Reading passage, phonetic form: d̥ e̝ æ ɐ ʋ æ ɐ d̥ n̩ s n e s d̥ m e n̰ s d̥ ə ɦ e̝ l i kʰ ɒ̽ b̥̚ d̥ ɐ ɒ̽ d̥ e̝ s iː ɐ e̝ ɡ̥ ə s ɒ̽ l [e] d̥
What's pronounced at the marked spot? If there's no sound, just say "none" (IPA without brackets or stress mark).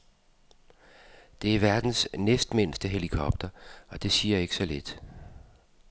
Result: e